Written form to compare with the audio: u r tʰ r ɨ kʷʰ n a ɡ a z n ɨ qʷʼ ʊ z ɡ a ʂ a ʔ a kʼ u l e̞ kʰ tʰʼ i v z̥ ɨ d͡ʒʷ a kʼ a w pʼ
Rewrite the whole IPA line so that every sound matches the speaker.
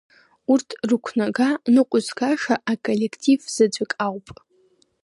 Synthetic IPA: u r tʰ r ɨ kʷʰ n a ɡ a n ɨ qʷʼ ʊ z ɡ a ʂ a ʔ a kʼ o l e̞ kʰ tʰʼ i v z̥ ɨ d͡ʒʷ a kʼ a w pʼ